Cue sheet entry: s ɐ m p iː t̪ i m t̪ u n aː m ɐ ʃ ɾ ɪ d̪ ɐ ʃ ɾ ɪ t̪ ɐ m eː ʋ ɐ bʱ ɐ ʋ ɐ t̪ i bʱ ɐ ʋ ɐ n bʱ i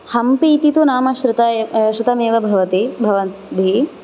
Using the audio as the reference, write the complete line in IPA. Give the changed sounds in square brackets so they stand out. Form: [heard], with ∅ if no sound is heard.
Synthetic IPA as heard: [h] ɐ m p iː t̪ i [∅] t̪ u n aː m ɐ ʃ ɾ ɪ [t̪] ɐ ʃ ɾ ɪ t̪ ɐ m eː ʋ ɐ bʱ ɐ ʋ ɐ t̪ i bʱ ɐ ʋ ɐ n bʱ i